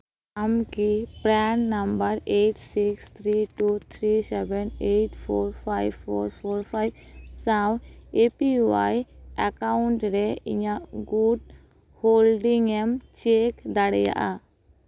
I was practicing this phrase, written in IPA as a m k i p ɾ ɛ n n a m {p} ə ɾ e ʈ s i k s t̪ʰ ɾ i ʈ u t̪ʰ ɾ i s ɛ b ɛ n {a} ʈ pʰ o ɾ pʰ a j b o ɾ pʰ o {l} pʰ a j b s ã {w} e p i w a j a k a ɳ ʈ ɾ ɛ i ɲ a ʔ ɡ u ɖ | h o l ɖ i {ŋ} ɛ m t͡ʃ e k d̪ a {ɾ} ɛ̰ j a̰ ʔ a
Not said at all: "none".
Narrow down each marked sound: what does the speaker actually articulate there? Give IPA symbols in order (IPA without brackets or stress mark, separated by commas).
b, e, ɾ, w, ŋ, ɽ